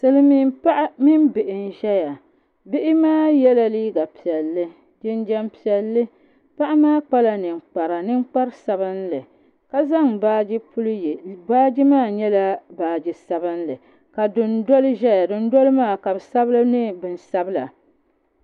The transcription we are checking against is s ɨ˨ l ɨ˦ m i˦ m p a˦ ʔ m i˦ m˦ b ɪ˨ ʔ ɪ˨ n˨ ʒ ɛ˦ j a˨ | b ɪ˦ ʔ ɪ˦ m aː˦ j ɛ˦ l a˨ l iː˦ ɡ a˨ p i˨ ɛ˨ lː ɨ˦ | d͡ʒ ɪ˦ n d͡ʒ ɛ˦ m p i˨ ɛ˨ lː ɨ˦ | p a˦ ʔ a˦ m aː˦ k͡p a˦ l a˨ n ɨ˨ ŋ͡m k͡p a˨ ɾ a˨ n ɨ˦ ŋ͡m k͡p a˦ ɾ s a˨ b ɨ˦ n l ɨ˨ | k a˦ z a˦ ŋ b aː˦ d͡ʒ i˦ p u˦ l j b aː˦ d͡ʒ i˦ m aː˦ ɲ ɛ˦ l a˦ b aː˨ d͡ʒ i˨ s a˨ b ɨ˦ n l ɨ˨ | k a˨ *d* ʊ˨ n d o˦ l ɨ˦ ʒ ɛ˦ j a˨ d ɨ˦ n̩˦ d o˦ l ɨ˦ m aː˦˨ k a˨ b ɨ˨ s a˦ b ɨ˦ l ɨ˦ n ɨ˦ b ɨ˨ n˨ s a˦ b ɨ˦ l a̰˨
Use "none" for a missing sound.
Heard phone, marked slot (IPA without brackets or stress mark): d